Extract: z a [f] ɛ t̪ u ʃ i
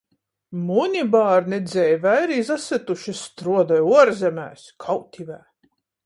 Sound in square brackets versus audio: incorrect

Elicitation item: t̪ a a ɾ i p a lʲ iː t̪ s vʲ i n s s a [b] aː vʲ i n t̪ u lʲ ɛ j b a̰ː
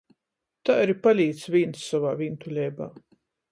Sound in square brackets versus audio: incorrect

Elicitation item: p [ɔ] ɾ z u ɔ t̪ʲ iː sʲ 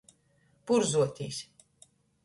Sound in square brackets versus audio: incorrect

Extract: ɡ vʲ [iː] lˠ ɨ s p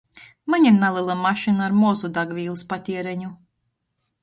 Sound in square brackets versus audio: correct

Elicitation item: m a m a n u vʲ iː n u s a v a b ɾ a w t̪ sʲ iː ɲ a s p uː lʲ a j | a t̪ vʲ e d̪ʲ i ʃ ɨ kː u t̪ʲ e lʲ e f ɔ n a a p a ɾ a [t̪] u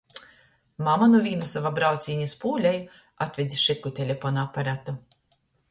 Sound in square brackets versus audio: correct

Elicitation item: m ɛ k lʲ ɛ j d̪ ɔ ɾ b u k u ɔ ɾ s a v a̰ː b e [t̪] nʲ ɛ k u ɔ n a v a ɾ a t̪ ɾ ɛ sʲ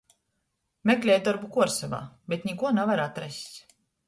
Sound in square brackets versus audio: correct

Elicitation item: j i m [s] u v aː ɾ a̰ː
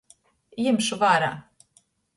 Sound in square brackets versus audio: incorrect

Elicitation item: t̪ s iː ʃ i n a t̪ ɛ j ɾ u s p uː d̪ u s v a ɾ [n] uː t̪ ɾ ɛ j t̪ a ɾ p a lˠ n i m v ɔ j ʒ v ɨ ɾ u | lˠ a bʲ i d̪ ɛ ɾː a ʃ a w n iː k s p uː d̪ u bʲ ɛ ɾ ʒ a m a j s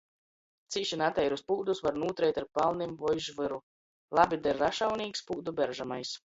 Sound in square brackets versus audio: correct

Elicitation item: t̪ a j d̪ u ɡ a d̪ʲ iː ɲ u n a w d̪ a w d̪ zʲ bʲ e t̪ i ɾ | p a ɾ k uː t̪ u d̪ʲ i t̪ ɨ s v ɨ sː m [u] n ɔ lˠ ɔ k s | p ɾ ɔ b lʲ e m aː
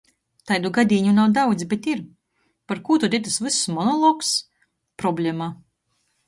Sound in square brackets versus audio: incorrect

